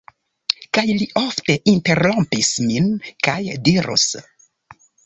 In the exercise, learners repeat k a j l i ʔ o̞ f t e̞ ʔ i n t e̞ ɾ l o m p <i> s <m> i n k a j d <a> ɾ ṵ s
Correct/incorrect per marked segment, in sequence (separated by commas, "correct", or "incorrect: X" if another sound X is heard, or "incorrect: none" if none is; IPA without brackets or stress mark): correct, correct, incorrect: i